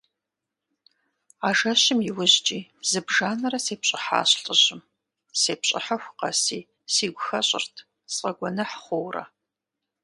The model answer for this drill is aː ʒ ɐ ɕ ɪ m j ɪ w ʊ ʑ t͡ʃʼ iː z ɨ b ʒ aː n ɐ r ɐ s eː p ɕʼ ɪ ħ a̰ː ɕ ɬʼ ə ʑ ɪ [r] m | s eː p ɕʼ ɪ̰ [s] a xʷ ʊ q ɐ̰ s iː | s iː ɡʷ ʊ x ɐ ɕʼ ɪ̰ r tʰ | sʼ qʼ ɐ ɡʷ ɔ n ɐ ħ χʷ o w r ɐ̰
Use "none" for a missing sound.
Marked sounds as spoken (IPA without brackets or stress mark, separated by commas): none, ħ